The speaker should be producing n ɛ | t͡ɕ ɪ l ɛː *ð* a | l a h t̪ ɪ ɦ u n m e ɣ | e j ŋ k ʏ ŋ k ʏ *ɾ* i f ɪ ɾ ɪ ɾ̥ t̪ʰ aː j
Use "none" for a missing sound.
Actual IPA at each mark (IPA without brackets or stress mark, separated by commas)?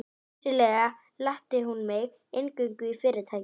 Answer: ɣ, none